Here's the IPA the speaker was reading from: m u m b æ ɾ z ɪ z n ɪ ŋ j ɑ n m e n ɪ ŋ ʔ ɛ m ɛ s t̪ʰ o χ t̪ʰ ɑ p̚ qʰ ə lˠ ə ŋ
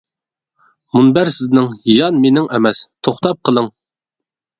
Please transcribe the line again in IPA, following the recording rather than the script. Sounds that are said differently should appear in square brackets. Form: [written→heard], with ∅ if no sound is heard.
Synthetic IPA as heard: m u [m→n] b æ ɾ [z→s] ɪ z n ɪ ŋ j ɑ n m e n ɪ ŋ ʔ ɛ m ɛ s t̪ʰ o χ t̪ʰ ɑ p̚ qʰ ə lˠ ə ŋ